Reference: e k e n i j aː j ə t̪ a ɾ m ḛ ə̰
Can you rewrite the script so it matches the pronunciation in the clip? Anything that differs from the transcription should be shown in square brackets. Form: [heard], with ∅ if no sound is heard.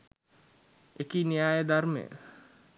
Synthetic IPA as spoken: e k [i] n i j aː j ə [d̪] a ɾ m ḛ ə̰